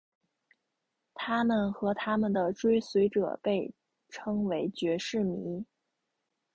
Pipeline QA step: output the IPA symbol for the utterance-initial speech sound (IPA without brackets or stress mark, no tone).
t̪ʰ